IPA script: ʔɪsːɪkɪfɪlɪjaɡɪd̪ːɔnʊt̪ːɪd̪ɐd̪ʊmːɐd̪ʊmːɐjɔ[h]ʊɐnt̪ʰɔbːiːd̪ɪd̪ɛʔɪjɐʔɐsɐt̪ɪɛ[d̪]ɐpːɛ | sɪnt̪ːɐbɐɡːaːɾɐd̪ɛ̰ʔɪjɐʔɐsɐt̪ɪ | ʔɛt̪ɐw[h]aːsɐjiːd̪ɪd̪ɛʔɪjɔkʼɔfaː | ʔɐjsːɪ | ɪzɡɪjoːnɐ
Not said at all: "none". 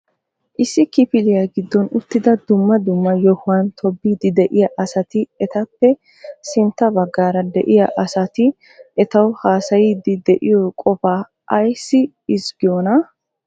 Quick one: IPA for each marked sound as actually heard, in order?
h, t̪, h

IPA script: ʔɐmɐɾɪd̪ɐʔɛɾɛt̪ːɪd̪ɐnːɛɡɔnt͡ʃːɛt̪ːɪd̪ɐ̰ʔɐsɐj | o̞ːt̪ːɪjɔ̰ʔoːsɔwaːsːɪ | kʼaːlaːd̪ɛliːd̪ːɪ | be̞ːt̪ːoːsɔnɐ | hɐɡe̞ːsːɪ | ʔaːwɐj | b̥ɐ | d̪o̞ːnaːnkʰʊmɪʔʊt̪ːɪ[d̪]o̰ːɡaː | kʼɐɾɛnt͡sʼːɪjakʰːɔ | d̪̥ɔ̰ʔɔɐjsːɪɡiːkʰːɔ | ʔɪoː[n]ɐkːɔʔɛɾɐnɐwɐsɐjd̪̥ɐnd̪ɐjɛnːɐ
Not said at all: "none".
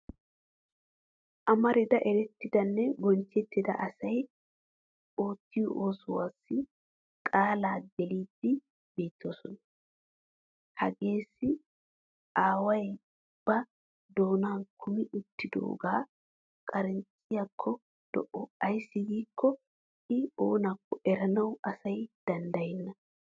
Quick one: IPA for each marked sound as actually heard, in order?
d̪, n

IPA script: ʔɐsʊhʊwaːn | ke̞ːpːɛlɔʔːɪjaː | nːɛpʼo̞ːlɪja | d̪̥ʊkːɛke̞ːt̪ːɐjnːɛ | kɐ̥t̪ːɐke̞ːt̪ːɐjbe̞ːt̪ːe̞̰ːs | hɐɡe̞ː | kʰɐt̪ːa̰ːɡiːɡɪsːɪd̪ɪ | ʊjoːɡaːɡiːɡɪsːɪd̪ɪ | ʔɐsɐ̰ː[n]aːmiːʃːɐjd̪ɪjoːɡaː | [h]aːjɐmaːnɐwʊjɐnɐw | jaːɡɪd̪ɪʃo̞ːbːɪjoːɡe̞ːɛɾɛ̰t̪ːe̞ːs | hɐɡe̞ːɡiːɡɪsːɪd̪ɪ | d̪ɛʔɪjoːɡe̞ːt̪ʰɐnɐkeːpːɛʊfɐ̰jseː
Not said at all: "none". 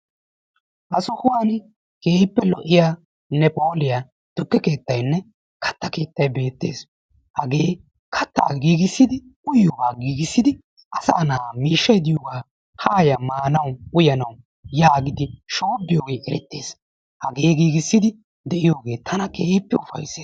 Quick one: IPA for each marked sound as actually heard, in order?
n, h

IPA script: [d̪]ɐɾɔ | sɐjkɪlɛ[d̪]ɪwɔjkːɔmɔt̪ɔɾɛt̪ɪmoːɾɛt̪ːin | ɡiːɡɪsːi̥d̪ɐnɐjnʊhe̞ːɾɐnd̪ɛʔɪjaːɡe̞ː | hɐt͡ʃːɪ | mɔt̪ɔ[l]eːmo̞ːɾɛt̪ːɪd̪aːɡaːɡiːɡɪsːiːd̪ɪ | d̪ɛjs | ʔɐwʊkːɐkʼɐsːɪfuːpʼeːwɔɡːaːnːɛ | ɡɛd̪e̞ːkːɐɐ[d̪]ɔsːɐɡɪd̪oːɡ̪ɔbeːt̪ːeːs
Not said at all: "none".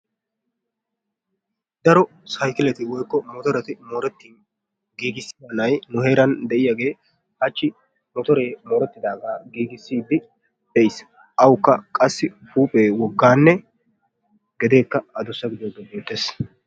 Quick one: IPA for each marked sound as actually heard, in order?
d̪, t̪, ɾ, d̪

